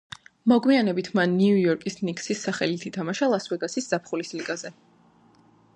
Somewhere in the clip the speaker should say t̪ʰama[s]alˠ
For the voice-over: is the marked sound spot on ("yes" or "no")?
no